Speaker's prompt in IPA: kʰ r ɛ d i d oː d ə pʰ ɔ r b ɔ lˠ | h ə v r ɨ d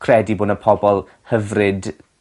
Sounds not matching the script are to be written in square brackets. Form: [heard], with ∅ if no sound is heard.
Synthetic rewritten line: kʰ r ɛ d i [b] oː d ə pʰ ɔ [∅] b ɔ lˠ | h ə v r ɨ d